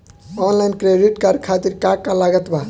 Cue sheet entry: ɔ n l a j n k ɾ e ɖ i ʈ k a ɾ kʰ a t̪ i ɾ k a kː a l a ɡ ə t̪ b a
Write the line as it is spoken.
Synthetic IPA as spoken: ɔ n l a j n k ɾ e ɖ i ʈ k a ɾ kʰ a t̪ i ɾ k a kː a l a ɡ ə t̪ b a